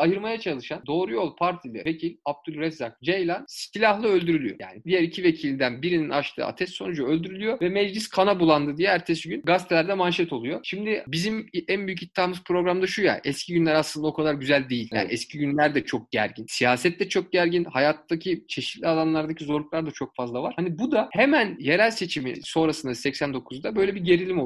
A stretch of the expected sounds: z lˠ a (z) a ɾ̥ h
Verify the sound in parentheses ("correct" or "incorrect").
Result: incorrect